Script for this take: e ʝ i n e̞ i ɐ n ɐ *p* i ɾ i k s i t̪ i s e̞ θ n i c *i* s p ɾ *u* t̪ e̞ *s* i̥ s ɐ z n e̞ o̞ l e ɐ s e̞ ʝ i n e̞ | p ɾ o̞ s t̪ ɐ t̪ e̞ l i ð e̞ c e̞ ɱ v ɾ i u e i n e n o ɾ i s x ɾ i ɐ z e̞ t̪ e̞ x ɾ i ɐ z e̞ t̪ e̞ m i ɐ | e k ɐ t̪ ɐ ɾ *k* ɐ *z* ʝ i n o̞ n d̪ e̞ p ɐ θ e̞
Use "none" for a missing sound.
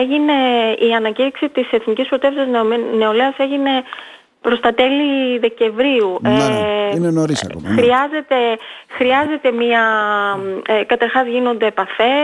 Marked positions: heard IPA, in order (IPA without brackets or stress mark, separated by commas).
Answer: c, i, o, f, x, z